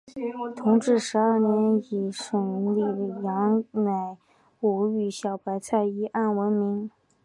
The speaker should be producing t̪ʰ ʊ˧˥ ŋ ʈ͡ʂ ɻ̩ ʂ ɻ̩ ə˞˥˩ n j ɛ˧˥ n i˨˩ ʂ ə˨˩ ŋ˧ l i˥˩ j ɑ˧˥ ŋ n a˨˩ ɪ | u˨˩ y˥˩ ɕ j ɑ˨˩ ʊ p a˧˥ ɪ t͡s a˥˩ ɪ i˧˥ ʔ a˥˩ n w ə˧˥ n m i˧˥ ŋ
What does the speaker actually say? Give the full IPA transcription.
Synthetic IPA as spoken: t̪ʰ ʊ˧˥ ŋ ʈ͡ʂ ɻ̩ ʂ ɻ̩ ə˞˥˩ n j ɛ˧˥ n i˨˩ ʂ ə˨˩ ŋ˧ l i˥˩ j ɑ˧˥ ŋ n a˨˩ ɪ | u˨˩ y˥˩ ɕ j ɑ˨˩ ʊ p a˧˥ ɪ t͡sʰ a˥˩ ɪ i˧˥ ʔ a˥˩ n w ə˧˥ n m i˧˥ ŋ